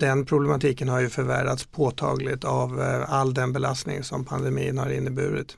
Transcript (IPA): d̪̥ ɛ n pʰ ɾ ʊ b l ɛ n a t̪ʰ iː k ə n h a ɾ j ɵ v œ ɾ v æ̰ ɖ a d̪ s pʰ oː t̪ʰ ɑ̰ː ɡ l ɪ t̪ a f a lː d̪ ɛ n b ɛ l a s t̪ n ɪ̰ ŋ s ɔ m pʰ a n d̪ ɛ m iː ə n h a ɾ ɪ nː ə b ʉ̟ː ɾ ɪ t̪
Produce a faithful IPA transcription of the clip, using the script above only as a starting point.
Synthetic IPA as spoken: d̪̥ ɛ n pʰ ɾ ʊ b l ɛ m a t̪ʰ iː k ə n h a ɾ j ɵ f œ ɾ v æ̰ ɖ a t̪ s pʰ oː t̪ʰ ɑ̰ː ɡ l ɪ t̪ a v a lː d̪ ɛ n b ɛ l a s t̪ n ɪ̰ ŋ s ɔ m pʰ a n d̪ ɛ m iː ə n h a ɾ ɪ nː ə b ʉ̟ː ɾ ɪ t̪